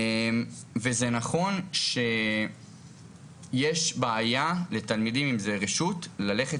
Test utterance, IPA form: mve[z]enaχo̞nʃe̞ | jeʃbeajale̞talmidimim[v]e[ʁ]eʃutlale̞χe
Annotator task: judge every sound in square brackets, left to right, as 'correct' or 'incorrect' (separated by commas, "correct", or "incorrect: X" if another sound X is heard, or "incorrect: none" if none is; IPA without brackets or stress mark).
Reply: correct, incorrect: z, correct